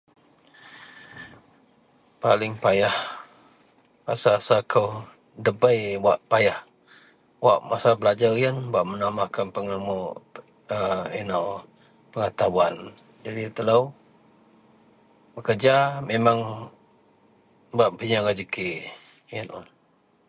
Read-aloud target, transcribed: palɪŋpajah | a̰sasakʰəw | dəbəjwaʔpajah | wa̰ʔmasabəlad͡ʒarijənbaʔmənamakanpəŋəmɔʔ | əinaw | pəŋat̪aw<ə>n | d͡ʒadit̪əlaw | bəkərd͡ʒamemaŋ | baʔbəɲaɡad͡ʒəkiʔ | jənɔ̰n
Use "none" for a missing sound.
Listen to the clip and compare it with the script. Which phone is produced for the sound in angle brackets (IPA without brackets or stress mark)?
a